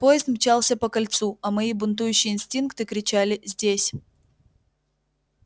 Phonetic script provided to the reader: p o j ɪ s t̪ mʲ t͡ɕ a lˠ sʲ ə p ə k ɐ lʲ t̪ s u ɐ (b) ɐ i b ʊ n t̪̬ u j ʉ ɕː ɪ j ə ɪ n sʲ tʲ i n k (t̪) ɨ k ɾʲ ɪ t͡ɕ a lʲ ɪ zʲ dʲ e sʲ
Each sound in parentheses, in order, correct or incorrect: incorrect: m, correct

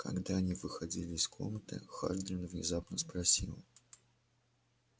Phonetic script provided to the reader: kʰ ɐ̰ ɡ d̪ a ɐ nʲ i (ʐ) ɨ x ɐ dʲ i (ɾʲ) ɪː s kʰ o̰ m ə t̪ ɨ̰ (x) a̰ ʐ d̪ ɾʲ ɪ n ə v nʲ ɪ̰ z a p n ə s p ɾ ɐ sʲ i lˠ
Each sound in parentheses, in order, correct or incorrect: incorrect: v, incorrect: lʲ, correct

